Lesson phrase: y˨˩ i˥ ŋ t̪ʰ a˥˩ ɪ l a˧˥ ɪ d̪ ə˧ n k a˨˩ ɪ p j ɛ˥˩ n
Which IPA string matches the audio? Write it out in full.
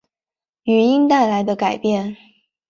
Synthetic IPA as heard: y˨˩ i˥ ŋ t̪ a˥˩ ɪ l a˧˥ ɪ d̪ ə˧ k a˨˩ ɪ p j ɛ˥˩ n